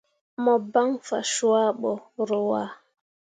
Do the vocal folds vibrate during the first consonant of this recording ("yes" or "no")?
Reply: yes